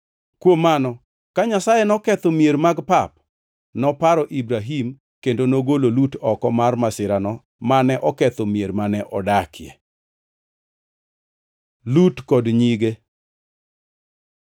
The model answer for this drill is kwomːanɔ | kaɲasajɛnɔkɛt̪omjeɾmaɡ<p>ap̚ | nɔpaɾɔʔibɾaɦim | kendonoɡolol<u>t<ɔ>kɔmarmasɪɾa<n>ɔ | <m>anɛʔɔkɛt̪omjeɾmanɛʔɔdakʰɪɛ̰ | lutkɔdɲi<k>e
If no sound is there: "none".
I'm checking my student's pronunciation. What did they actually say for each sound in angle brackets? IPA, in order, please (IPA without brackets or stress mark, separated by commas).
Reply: p, u, ɔ, n, m, ɡ